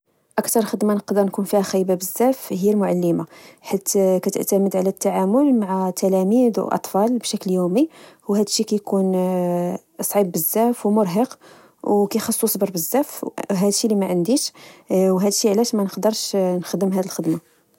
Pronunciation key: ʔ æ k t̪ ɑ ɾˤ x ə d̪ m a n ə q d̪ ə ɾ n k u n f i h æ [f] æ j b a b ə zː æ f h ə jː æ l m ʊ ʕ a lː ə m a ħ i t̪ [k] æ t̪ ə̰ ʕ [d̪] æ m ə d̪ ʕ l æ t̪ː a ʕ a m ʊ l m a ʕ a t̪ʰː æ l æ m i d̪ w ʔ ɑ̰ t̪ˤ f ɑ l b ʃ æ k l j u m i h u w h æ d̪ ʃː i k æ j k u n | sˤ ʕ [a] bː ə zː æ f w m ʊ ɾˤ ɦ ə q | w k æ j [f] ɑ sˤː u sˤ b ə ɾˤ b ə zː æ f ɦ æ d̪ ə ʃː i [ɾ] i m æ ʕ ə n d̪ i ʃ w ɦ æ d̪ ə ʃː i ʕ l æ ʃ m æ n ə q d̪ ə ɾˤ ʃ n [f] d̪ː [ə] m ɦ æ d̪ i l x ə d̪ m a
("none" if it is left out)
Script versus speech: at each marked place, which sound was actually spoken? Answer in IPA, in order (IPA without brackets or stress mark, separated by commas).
x, k, t̪, i, x, l, x, ə